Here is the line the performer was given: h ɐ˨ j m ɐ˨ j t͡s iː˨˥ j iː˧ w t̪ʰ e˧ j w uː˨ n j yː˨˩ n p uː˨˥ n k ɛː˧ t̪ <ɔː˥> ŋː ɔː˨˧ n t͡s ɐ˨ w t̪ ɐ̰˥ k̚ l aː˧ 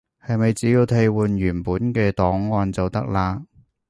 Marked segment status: incorrect: ɔː˨˥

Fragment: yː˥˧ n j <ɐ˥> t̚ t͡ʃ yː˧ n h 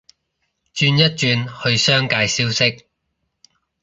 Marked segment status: correct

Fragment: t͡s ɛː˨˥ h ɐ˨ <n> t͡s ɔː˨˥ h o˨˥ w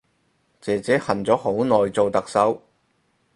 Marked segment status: correct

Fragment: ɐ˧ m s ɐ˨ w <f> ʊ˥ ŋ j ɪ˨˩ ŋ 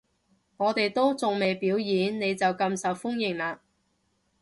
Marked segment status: correct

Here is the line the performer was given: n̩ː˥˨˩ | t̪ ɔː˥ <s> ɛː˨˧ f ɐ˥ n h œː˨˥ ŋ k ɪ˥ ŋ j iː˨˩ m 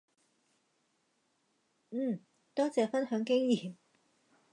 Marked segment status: incorrect: t͡s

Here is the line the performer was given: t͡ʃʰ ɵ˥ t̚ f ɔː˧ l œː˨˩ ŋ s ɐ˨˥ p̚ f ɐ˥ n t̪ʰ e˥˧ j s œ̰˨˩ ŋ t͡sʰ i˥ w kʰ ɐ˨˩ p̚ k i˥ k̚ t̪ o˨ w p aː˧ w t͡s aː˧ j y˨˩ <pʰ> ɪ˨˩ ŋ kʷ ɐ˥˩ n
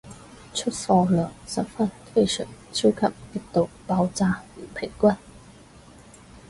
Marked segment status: correct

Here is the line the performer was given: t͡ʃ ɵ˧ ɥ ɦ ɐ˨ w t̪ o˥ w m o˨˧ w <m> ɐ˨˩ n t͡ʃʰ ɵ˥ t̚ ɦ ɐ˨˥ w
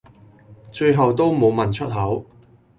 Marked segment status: correct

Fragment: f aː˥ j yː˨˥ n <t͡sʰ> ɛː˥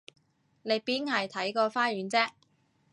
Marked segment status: incorrect: t͡s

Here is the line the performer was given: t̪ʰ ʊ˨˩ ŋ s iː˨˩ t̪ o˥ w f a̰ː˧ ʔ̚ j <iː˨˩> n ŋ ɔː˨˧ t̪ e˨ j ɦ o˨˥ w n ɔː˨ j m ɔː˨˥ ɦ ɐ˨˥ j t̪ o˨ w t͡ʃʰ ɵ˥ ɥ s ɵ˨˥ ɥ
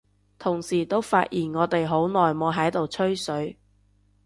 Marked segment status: correct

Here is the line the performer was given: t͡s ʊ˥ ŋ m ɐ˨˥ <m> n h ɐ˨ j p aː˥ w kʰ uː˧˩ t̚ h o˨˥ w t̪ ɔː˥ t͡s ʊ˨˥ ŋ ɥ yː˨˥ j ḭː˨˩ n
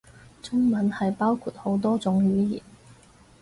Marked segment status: incorrect: none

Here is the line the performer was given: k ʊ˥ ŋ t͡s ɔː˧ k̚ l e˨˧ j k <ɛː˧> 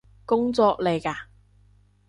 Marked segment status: incorrect: aː˧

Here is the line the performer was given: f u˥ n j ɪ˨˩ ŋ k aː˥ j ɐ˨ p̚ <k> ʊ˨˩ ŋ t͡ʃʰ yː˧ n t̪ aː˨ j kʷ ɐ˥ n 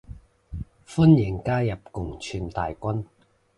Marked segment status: correct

